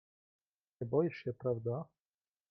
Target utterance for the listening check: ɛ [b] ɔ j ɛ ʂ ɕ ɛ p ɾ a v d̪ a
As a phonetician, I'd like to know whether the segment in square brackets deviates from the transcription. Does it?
no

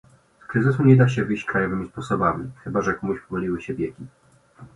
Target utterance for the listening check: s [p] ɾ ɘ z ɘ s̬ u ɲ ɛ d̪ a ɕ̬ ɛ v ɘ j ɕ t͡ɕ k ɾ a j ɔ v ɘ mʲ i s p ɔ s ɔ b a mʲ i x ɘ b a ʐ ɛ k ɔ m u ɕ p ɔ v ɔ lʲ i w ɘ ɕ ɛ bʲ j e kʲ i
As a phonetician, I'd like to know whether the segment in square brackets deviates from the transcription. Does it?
yes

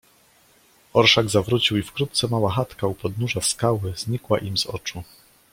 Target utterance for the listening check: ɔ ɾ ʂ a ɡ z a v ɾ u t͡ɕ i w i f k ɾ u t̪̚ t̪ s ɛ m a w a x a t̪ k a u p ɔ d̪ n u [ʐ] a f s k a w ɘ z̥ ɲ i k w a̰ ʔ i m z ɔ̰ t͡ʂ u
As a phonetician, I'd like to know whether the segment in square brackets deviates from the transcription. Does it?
no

